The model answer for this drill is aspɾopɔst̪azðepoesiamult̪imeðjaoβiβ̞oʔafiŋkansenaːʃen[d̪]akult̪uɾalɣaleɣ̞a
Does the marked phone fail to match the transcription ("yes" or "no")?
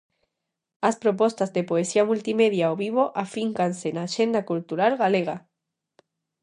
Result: no